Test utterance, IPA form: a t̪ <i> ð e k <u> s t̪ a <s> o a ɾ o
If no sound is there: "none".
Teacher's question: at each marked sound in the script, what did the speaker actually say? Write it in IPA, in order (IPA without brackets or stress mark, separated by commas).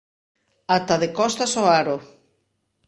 a, ɔ, s